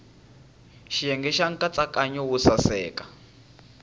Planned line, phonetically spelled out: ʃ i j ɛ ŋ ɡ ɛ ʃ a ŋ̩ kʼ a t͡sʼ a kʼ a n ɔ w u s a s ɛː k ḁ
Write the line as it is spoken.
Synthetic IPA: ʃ i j ɛ ŋ ɡ ɛ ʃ a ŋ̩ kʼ a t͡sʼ a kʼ a ɲ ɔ w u s a s ɛː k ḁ